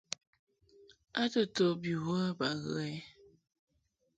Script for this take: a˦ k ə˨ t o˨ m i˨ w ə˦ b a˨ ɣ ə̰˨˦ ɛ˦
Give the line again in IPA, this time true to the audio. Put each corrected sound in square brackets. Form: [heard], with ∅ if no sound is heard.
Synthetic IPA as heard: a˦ [t] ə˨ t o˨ [b] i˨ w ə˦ b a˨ ɣ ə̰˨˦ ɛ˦

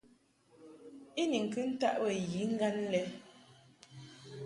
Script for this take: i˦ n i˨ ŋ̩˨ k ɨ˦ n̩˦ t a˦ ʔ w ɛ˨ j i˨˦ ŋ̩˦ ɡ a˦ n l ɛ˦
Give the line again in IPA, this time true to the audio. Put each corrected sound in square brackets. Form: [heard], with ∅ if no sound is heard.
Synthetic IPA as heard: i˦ n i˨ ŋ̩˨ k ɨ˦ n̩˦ t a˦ ʔ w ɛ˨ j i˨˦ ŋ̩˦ ɡ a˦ n l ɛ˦

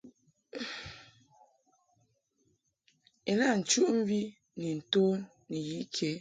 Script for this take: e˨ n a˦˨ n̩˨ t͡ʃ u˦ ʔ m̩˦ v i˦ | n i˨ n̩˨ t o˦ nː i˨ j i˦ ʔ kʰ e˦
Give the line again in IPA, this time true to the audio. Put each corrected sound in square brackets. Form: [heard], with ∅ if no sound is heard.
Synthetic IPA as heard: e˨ n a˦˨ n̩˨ t͡ʃ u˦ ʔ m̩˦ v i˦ | n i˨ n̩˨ t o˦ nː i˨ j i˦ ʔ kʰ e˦

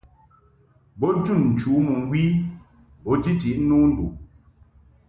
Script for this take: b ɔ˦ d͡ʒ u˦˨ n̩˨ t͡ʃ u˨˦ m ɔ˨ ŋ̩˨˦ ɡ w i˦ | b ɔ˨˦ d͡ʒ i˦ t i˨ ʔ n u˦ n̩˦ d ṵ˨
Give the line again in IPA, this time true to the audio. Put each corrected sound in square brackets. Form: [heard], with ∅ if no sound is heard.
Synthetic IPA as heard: b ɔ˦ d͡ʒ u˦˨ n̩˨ t͡ʃ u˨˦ m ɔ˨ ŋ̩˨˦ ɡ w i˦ | b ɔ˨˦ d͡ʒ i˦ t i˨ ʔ n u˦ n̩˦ d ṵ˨

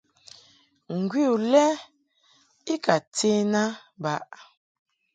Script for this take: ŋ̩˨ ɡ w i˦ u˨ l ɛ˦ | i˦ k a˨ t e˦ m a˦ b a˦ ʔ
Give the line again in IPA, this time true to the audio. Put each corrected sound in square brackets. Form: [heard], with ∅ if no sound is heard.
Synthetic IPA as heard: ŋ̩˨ ɡ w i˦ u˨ l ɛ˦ | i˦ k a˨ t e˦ [n] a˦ b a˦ ʔ

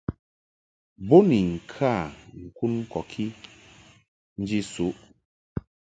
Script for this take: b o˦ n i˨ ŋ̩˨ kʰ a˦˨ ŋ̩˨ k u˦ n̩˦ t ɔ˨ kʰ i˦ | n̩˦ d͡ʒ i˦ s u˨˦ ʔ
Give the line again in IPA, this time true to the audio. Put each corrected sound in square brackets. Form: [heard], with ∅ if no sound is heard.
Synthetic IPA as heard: b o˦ n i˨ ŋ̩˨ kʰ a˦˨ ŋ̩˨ k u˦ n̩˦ [k] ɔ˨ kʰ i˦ | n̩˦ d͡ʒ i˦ s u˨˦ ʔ

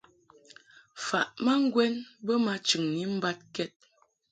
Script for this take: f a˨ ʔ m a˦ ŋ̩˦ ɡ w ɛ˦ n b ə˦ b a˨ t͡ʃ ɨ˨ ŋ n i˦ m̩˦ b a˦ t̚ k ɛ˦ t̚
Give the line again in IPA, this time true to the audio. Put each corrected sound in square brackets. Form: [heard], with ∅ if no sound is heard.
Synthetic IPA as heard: f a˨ ʔ m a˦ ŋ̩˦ ɡ w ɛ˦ n b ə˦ [m] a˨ t͡ʃ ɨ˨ ŋ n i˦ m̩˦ b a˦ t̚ k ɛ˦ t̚

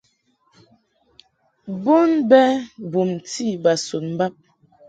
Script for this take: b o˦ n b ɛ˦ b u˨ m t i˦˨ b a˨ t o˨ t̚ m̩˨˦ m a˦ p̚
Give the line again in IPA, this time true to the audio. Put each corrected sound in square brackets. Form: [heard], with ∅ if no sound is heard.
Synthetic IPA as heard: b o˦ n b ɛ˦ b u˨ m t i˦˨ b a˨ [s] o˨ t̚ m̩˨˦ [b] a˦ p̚

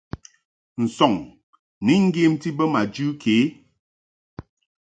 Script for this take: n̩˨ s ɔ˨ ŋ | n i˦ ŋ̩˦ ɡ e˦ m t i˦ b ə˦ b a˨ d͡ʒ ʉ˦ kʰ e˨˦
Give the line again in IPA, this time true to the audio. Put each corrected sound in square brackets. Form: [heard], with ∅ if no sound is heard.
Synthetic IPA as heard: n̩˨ s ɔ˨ ŋ | n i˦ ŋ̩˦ ɡ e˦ m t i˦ b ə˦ [m] a˨ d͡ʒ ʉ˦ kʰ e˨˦

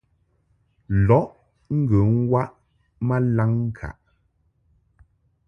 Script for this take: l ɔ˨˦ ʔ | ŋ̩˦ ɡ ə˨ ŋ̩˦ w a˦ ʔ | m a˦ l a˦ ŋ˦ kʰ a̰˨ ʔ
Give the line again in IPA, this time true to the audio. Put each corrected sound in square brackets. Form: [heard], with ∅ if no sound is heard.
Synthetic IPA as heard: l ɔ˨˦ ʔ | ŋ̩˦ ɡ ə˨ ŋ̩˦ w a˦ ʔ | m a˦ l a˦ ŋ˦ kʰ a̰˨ ʔ

